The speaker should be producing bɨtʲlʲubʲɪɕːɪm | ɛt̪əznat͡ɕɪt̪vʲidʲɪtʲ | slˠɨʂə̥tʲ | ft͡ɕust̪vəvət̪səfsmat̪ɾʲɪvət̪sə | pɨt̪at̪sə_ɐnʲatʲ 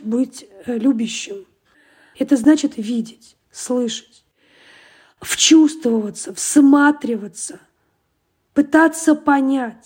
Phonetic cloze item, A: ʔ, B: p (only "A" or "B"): B